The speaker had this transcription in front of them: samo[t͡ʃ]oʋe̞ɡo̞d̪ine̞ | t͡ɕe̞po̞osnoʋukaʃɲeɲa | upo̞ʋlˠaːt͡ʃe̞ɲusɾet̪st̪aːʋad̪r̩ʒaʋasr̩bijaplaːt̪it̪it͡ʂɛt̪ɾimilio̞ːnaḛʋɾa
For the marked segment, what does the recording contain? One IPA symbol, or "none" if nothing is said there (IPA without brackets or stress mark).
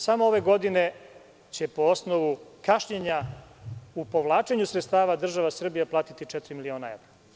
none